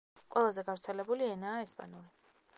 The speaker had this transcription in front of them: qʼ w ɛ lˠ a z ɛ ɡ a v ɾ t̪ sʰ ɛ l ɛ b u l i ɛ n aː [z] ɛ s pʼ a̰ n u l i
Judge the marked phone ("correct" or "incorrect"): incorrect